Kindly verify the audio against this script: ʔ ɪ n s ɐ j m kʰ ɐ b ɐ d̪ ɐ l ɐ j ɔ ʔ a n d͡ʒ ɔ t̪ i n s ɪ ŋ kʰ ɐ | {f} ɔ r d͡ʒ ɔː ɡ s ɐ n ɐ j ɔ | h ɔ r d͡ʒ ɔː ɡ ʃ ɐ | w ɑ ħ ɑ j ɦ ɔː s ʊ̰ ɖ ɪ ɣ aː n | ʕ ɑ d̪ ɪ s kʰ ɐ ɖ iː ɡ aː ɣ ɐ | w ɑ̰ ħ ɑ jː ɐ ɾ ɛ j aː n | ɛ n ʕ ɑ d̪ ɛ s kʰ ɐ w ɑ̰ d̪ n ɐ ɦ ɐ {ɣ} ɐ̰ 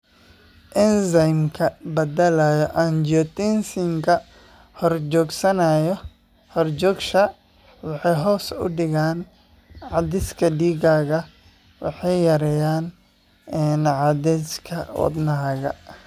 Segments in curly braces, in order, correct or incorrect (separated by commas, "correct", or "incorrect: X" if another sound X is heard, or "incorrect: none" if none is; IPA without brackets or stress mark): incorrect: h, correct